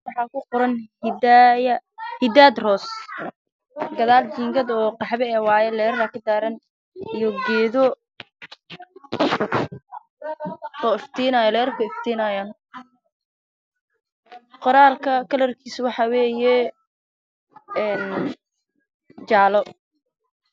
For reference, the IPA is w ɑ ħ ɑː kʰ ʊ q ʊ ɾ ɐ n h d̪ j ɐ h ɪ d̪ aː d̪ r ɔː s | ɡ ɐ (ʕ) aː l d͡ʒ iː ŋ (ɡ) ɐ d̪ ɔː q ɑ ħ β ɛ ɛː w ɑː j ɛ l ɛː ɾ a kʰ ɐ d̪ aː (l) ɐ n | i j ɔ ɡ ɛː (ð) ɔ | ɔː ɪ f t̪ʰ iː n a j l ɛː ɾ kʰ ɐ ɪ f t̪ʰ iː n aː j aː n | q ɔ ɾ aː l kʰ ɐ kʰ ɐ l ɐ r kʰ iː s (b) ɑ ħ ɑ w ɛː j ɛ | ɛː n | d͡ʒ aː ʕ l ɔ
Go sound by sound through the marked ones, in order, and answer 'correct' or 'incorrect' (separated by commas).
incorrect, correct, incorrect, correct, incorrect